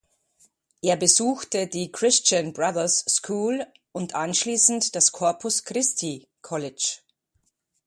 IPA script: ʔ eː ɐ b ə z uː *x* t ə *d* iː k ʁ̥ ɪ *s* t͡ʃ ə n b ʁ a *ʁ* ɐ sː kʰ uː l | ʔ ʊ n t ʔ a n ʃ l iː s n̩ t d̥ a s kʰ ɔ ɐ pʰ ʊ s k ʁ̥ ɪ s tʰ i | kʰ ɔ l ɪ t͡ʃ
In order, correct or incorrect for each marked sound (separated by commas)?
correct, correct, correct, incorrect